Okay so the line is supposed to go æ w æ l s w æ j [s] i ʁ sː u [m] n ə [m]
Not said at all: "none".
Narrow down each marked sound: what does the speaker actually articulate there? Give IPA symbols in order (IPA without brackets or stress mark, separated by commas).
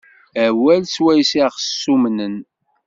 s, m, n